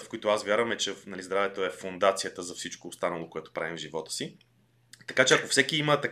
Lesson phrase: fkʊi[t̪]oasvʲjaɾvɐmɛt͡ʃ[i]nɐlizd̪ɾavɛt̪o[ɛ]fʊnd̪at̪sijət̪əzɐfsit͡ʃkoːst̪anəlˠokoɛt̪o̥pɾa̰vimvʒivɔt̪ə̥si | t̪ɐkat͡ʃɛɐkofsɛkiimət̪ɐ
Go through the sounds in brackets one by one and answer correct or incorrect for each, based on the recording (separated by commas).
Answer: correct, incorrect, correct